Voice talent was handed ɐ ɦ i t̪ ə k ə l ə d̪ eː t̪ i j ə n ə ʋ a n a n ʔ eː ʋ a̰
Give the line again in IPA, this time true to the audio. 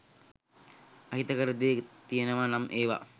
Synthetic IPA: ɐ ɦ i t̪ ə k ə ɾ ə d̪ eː t̪ i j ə n ə ʋ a n a m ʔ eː ʋ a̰